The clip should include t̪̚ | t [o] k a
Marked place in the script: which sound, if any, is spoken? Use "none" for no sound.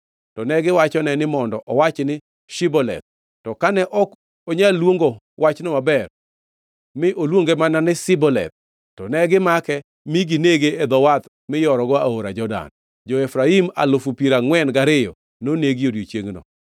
ɔ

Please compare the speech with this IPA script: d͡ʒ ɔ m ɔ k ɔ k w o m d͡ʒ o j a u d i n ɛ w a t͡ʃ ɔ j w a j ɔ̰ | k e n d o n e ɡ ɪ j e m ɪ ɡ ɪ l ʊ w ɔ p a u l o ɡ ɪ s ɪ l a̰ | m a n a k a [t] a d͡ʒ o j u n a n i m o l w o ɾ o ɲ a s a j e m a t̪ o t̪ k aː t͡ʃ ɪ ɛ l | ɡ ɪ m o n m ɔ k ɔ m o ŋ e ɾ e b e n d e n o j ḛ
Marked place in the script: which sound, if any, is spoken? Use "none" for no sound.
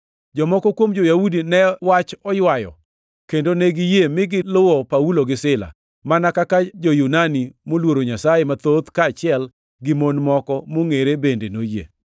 k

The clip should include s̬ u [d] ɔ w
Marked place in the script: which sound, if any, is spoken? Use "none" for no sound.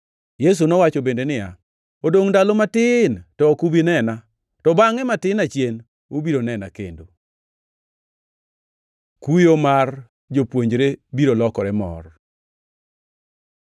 n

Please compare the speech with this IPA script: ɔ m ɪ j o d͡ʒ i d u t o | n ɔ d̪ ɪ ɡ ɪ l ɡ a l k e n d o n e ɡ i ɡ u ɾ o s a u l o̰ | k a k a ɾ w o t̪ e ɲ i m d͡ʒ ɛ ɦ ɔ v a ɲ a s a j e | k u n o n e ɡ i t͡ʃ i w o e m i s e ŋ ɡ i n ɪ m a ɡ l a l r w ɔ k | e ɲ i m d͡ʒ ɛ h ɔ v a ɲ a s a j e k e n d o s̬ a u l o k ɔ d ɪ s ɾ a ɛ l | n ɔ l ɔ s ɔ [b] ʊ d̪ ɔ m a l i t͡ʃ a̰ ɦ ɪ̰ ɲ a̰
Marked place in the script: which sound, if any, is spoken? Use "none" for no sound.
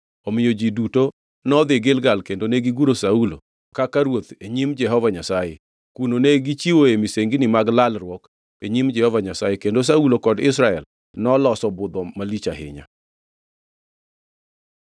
b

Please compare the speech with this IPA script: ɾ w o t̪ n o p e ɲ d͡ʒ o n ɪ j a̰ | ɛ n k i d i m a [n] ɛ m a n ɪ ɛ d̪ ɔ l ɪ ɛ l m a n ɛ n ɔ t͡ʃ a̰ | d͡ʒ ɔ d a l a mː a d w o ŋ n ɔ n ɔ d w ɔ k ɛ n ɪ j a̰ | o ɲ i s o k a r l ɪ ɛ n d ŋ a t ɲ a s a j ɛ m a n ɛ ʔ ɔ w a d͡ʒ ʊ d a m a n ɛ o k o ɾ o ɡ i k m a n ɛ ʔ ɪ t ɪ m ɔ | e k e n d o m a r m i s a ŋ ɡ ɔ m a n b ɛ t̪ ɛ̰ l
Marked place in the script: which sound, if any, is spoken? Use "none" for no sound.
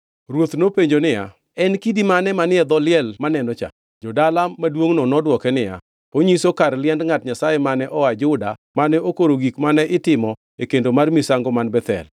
n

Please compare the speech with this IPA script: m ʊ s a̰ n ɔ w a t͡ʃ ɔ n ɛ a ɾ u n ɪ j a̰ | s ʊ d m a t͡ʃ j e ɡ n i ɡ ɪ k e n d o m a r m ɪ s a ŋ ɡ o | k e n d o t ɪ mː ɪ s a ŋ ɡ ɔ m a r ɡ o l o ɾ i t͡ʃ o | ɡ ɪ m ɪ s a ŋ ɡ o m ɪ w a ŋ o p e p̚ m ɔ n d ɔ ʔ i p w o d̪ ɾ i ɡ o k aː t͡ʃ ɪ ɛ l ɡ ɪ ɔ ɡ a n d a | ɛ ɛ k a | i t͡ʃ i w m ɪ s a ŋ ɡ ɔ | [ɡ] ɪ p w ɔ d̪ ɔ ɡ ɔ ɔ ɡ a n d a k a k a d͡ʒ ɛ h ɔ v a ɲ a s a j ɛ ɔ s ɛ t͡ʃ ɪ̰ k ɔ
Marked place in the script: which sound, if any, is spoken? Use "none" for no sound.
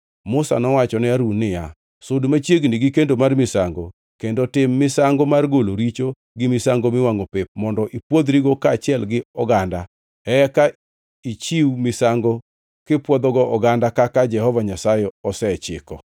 k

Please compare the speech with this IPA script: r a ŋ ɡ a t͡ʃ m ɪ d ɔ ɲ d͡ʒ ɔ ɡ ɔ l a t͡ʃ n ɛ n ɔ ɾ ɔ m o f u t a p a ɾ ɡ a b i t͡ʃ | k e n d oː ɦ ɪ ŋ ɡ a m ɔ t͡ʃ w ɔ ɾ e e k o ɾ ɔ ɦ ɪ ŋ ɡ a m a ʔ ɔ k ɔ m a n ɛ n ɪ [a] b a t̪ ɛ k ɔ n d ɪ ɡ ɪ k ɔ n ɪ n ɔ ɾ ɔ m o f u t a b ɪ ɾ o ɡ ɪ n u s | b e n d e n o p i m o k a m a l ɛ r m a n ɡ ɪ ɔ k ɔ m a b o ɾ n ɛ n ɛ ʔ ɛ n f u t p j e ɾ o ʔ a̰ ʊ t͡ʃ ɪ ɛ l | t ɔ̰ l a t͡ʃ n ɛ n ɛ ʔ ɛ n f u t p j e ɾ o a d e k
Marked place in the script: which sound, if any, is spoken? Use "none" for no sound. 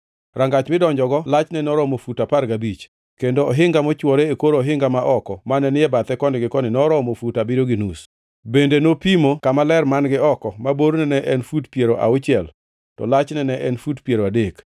ɛ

